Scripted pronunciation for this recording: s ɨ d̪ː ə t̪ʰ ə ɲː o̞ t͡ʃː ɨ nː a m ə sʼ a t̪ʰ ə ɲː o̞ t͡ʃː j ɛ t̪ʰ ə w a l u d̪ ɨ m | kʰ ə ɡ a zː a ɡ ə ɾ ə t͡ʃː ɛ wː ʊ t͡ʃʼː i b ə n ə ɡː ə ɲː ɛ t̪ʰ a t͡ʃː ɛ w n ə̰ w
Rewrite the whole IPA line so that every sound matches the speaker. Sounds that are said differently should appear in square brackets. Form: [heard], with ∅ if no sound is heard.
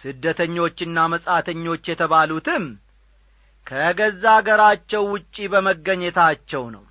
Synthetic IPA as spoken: s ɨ d̪ː ə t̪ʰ ə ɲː o̞ t͡ʃː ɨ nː a m ə sʼ a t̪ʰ ə ɲː o̞ t͡ʃː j ɛ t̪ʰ ə [β] a l u [t̪] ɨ m | kʰ ə ɡ [ə] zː a ɡ ə ɾ [a] t͡ʃː ɛ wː ʊ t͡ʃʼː i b ə [m] ə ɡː ə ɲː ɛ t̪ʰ a t͡ʃː ɛ w n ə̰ w